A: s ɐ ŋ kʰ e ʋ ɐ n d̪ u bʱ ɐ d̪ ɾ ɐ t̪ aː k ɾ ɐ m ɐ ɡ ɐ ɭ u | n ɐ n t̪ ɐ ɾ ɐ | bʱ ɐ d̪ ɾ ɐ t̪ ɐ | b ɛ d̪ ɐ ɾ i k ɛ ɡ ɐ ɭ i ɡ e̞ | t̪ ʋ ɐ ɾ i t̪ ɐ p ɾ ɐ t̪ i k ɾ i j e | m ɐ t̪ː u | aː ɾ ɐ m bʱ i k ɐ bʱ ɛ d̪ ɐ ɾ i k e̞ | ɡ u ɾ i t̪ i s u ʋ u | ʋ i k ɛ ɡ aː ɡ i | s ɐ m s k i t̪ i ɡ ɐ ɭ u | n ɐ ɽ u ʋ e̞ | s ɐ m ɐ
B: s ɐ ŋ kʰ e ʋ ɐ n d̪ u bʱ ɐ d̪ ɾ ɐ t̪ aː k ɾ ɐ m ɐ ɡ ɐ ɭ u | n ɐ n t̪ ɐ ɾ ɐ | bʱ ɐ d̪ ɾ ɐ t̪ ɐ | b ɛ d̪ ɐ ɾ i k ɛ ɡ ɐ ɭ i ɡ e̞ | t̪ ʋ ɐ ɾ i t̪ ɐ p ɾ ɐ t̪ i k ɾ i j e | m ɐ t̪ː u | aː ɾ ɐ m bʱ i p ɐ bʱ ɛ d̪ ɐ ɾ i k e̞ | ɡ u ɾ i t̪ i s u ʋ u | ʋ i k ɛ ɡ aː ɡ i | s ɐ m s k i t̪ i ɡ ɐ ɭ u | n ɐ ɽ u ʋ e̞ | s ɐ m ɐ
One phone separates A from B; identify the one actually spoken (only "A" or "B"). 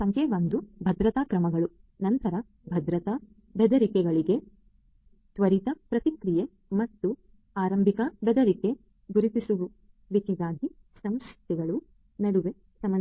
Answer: A